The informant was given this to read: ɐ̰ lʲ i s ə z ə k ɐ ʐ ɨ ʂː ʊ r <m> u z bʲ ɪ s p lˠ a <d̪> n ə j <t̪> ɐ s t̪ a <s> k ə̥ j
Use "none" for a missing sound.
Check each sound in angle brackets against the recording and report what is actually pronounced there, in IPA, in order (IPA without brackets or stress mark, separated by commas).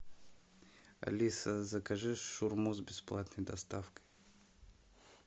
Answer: m, t̪, d̪, f